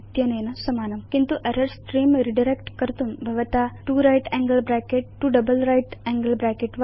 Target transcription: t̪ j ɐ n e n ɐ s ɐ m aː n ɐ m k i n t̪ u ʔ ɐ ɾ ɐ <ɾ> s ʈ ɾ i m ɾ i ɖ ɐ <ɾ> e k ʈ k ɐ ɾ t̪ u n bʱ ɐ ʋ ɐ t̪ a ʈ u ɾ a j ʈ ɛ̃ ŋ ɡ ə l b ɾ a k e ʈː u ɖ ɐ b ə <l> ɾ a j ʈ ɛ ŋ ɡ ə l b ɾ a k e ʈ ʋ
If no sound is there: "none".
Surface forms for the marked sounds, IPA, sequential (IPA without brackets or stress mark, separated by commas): ɾ, ɾ, l